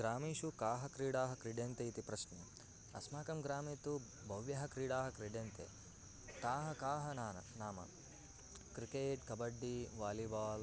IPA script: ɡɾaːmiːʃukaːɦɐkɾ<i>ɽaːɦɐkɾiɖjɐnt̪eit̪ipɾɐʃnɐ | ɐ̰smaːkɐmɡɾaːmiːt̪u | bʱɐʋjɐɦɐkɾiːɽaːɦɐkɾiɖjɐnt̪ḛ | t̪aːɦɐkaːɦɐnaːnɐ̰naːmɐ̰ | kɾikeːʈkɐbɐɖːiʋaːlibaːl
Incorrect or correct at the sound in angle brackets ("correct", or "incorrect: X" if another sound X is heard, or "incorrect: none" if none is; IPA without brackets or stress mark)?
incorrect: iː